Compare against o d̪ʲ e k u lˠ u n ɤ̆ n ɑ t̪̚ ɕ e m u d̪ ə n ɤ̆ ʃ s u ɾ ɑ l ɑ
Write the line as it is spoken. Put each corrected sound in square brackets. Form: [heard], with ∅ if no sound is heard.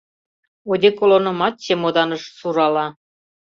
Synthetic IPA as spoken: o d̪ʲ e k [o] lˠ [o] n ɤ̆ [m] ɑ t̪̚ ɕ e m [o] d̪ [ɑ] n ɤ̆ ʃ s u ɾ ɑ l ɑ